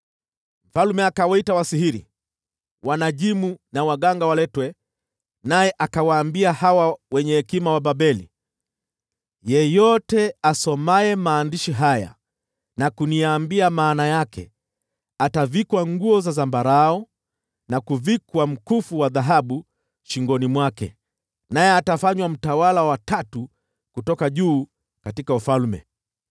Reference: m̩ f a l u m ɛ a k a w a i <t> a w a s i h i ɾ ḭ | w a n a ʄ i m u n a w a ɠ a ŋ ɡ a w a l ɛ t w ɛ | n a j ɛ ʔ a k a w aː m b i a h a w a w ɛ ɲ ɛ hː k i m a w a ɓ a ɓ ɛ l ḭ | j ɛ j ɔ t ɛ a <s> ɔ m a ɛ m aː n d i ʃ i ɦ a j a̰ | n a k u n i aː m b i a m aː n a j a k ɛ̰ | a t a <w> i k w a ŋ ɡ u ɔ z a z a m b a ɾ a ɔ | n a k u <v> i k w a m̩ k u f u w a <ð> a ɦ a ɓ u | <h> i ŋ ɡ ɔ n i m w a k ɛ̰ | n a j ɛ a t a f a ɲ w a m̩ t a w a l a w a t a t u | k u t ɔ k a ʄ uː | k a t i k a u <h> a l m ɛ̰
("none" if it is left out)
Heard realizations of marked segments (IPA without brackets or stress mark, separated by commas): t, s, v, v, ð, ʃ, f